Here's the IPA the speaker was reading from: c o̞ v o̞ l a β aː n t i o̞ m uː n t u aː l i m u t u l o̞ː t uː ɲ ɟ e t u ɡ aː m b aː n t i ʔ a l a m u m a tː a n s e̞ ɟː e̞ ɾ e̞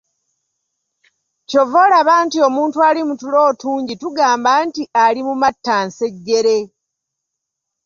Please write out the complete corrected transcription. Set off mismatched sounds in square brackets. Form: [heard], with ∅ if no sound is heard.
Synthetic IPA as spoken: c o̞ v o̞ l a β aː n t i o̞ m uː n t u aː l i m u t u l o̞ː t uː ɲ ɟ [i] t u ɡ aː m b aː n t i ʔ a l [i] m u m a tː a n s e̞ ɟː e̞ ɾ e̞